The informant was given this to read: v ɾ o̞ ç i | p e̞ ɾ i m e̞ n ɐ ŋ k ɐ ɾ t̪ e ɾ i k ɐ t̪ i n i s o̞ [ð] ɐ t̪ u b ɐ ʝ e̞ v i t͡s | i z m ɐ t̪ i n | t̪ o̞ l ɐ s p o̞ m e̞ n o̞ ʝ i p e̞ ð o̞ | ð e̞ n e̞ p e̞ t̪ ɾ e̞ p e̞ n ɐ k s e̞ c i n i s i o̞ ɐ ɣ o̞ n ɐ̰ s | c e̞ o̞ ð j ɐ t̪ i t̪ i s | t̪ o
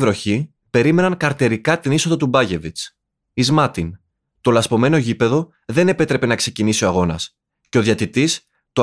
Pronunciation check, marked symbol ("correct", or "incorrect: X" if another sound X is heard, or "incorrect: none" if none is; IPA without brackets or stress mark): correct